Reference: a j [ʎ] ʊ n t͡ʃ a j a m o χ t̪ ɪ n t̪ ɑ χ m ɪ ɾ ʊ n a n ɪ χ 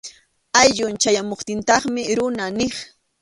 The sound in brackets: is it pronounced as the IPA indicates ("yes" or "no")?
yes